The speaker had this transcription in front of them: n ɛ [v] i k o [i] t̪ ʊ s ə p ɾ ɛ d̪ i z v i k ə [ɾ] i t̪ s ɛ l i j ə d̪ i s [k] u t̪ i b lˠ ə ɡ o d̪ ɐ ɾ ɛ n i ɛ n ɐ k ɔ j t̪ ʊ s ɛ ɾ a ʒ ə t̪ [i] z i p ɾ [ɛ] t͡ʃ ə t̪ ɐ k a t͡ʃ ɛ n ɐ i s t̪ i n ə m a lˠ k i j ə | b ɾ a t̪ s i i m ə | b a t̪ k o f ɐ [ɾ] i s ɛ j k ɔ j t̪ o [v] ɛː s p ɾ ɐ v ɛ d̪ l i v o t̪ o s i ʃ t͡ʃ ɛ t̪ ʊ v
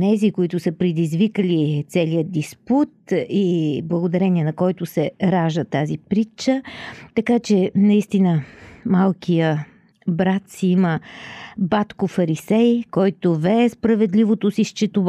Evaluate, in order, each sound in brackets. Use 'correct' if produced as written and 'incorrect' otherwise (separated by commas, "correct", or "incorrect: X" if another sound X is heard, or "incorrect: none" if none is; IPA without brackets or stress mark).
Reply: incorrect: z, correct, incorrect: l, incorrect: p, incorrect: a, incorrect: i, correct, correct